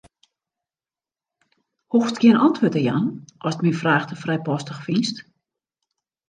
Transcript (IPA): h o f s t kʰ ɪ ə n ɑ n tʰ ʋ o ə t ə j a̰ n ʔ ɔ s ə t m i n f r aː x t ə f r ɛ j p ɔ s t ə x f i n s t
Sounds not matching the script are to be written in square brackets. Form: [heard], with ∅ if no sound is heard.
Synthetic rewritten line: h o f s t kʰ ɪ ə n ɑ n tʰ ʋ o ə t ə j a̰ n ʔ ɔ s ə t m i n f r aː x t ə f r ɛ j p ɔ s t ə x f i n s t